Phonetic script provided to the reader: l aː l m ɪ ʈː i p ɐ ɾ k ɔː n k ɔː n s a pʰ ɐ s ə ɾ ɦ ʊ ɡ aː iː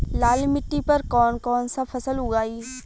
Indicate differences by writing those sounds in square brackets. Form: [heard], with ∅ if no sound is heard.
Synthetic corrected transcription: l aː l m ɪ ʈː i p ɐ ɾ k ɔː n k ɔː n s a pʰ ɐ s ə [l] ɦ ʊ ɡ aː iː